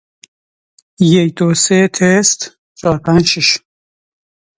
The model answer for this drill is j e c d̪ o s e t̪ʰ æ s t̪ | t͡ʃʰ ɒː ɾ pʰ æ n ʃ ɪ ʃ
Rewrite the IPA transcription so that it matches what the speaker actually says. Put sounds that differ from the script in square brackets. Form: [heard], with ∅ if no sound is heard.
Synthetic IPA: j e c d̪ o s e t̪ʰ [e] s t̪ | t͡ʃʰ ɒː ɾ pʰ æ n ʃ [i] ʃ